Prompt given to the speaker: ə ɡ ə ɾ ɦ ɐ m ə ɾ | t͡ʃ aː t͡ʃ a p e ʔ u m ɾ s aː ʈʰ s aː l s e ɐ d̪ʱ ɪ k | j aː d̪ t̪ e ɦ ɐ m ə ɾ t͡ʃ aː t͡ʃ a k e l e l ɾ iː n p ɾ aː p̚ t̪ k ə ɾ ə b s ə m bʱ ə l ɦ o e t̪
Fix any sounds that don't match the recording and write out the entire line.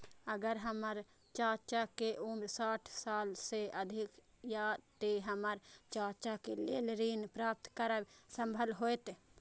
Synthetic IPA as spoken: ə ɡ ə ɾ ɦ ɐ m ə ɾ | t͡ʃ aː t͡ʃ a k e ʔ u m ɾ s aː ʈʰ s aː l s e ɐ d̪ʱ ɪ k | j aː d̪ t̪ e ɦ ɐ m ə ɾ t͡ʃ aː t͡ʃ a k e l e l ɾ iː n p ɾ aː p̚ t̪ k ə ɾ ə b s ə m bʱ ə l ɦ o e t̪